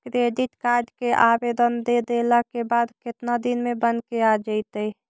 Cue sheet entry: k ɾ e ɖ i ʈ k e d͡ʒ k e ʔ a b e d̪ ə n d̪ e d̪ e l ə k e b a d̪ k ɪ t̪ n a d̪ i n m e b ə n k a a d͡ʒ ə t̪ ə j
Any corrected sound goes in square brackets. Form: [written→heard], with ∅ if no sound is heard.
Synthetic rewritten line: k ɾ e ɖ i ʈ k [e→a] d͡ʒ k e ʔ a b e d̪ ə n d̪ e d̪ e l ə k e b a d̪ k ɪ t̪ n a d̪ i n m e b ə n k [a→e] a d͡ʒ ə t̪ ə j